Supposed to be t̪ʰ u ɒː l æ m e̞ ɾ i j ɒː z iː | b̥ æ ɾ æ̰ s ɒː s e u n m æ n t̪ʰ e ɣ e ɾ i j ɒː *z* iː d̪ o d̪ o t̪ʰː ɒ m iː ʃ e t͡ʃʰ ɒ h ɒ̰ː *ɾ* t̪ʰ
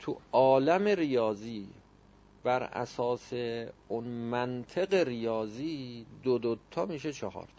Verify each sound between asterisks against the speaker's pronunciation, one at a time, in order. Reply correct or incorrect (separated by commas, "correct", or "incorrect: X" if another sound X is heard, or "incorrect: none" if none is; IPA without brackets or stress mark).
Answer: correct, correct